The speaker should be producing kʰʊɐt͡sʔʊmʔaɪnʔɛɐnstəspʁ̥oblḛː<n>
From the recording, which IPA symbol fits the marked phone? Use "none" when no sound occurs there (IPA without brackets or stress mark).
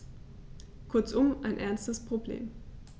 m